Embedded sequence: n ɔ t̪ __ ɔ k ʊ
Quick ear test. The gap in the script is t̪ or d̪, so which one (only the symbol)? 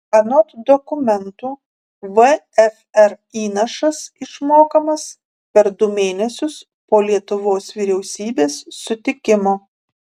d̪